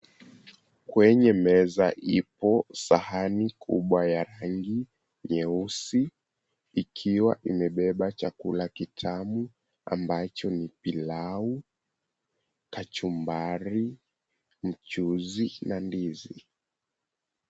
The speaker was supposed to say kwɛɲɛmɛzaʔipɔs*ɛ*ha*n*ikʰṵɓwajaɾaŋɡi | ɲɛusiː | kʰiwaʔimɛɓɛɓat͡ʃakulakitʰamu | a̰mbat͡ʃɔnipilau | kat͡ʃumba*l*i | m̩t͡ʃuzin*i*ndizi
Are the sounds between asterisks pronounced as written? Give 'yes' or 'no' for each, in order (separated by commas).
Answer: no, yes, no, no